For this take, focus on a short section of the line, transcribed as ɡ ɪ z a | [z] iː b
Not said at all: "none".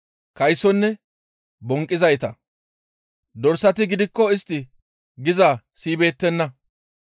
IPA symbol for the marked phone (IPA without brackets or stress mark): s